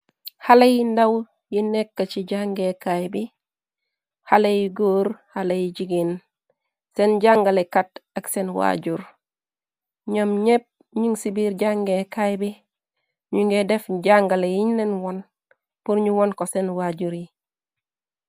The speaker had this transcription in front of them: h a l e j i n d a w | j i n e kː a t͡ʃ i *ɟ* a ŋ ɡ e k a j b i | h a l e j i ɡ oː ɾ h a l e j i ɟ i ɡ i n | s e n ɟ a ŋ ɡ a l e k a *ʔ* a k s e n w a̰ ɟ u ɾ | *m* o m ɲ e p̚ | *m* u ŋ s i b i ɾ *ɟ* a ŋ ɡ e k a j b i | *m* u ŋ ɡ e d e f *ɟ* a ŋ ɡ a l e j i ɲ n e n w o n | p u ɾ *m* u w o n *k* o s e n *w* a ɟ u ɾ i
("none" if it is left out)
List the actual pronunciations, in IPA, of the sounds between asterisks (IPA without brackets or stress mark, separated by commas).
ɟ, t, ɲ, ɲ, ɟ, ɲ, ɟ, ɲ, k, w